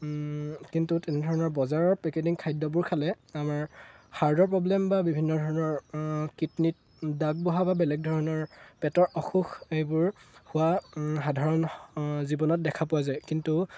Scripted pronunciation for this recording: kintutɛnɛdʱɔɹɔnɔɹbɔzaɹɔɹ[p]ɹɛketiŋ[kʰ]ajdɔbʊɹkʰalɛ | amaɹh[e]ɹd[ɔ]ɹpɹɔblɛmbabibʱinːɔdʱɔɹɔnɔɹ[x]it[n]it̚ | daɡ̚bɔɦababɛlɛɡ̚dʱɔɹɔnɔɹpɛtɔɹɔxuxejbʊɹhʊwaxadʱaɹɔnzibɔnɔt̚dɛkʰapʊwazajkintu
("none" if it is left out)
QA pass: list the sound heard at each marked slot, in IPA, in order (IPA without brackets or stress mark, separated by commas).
p, kʰ, a, ɔ, k, n